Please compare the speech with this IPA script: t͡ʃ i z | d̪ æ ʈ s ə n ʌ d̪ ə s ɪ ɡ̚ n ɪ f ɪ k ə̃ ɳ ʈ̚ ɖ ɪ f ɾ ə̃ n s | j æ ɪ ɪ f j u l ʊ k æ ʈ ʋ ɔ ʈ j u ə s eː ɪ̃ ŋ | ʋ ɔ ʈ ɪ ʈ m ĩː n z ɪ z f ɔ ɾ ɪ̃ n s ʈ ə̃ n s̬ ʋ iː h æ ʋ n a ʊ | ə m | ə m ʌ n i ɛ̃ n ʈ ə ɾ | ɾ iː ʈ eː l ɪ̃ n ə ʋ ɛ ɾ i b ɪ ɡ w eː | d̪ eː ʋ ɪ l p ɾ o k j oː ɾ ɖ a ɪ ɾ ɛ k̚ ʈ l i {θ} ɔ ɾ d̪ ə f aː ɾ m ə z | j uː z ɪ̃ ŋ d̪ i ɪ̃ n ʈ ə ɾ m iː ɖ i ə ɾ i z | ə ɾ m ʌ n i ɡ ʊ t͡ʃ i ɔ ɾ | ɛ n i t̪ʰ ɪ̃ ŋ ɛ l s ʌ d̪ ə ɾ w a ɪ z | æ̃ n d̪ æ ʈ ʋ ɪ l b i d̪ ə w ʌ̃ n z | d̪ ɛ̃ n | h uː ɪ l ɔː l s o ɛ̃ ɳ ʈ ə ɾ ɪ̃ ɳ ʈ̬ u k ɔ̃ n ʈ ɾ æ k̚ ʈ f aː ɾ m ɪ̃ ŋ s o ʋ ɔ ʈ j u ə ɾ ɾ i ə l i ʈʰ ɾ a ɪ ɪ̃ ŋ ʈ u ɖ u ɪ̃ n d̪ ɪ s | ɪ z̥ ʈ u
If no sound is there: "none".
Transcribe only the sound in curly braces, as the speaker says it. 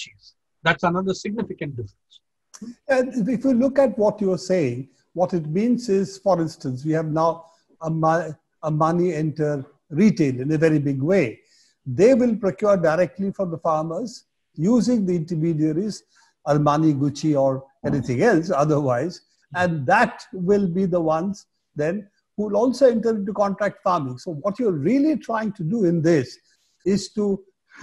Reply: f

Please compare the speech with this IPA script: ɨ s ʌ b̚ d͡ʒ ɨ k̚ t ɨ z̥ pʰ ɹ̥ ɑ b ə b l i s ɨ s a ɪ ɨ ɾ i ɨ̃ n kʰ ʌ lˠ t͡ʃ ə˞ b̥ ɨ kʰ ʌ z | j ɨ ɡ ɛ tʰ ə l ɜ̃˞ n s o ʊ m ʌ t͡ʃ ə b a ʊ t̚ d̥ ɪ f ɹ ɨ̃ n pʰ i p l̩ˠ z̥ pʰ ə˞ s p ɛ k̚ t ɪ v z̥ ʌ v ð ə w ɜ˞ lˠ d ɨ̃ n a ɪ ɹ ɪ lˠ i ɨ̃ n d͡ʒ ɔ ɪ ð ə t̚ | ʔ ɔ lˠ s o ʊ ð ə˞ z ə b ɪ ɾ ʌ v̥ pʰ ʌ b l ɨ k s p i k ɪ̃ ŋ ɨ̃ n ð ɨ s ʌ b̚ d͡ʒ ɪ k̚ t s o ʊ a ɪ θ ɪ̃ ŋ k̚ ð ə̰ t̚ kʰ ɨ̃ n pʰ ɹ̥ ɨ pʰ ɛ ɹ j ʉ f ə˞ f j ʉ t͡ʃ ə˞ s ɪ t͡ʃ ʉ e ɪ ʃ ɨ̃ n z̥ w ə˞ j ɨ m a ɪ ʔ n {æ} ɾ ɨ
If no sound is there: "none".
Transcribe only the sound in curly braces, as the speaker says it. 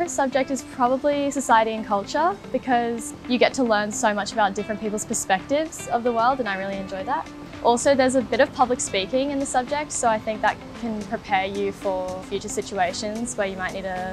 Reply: i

